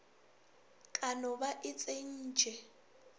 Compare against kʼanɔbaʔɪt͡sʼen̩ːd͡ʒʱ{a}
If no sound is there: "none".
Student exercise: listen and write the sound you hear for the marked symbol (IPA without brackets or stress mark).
ɛ